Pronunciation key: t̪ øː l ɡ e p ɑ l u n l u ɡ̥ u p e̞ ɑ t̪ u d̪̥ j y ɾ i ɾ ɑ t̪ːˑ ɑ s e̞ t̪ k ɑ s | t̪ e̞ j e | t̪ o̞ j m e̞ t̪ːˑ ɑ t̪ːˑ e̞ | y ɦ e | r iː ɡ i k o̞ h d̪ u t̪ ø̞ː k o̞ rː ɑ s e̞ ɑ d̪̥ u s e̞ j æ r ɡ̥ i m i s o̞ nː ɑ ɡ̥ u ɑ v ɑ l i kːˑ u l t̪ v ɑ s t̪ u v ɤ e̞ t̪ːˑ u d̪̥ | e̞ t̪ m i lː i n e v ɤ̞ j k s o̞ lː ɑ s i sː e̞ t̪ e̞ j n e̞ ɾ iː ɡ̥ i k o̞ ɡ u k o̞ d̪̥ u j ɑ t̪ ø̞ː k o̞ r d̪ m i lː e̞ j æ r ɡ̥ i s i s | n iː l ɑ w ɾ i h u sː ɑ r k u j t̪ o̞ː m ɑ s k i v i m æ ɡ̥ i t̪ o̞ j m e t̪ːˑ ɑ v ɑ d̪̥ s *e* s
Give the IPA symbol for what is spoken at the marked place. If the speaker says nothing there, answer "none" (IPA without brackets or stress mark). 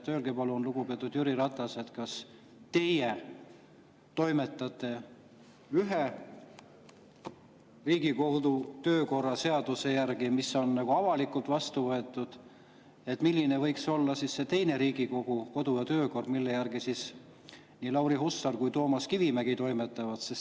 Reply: e